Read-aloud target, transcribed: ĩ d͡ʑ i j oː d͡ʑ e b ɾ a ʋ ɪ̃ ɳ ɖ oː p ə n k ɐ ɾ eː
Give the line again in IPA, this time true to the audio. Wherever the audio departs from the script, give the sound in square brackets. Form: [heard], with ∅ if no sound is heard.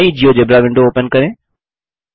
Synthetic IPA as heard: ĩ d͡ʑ i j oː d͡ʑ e b ɾ a ʋ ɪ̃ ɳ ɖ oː p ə n k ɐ ɾ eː